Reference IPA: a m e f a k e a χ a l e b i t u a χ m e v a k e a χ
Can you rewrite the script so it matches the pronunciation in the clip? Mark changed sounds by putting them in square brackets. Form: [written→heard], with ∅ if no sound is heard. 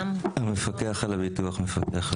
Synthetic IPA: a m e f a k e a χ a l [e→a] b i t u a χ m e [v→f] a k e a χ